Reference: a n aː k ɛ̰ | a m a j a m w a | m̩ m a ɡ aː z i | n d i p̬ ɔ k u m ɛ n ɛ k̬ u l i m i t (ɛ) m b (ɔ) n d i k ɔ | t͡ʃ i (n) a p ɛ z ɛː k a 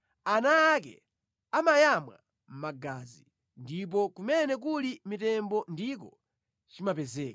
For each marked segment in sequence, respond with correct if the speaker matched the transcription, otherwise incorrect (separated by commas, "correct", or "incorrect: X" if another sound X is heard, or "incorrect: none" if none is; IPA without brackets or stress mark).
correct, correct, incorrect: m